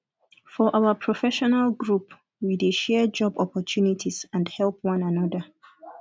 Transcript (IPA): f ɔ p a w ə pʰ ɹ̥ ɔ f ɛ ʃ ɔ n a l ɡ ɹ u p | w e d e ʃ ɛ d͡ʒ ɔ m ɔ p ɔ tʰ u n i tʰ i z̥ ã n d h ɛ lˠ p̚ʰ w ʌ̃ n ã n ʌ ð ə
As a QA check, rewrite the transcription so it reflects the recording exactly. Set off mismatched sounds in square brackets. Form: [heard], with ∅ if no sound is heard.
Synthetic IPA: f ɔ [ʔ] a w ə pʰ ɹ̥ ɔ f ɛ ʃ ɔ n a l ɡ ɹ u p | w [i] d e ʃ ɛ d͡ʒ ɔ [b] ɔ p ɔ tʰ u n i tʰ i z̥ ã n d h ɛ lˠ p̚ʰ w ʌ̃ n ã n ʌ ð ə